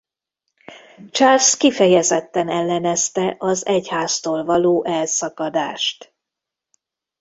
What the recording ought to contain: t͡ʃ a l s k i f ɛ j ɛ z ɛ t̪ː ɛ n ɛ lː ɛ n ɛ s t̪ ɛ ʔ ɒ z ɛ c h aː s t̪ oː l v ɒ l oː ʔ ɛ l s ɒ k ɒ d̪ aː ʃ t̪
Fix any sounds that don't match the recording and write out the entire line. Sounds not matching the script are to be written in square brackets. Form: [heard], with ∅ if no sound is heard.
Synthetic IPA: t͡ʃ a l s k i f ɛ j ɛ z ɛ t̪ː ɛ n ɛ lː ɛ n ɛ s t̪ ɛ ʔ ɒ z ɛ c h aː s t̪ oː l v ɒ l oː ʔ ɛ l s ɒ k ɒ d̪ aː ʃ t̪